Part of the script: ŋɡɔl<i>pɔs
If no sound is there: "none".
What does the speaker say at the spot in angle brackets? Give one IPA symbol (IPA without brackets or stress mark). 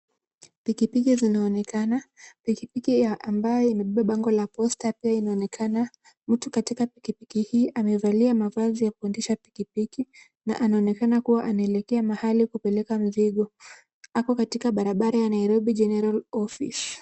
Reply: a